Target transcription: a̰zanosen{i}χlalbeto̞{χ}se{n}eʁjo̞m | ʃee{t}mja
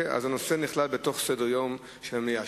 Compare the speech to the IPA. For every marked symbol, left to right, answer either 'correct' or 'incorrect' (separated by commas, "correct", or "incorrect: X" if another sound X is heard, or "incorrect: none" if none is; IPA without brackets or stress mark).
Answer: correct, correct, incorrect: d, incorrect: none